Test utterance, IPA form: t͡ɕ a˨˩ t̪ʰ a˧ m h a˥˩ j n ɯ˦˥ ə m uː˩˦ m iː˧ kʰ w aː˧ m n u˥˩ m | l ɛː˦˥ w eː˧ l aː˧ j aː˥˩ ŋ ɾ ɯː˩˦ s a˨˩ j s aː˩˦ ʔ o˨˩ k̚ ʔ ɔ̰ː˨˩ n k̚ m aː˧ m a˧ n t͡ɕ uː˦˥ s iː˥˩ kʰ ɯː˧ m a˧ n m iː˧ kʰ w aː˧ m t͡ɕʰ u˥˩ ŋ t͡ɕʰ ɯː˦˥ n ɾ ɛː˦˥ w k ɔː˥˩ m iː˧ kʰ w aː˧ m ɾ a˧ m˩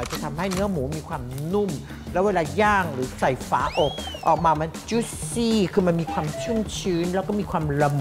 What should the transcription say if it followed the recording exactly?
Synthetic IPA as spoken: t͡ɕ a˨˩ t̪ʰ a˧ m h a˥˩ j n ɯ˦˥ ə m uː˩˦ m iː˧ kʰ w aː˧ m n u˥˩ m | l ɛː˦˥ w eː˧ l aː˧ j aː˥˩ ŋ ɾ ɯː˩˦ s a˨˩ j f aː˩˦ ʔ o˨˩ k̚ ʔ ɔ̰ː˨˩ k̚ m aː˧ m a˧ n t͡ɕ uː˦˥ s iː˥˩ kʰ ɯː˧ m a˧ n m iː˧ kʰ w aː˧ m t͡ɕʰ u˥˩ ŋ t͡ɕʰ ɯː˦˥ n l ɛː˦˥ w k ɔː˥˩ m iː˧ kʰ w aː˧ m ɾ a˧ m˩